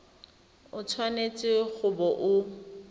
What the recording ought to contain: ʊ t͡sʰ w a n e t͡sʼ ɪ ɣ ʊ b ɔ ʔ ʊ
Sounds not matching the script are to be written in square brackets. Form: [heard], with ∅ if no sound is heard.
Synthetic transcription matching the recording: ʊ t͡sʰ w a n e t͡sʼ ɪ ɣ ʊ b ɔ ʔ ʊ

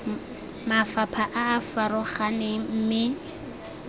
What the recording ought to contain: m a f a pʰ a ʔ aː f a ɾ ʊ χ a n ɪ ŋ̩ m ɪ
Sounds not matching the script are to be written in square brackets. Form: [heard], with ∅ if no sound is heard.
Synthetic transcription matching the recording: m a f a pʰ a ʔ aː f a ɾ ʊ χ a n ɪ [m̩] m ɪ

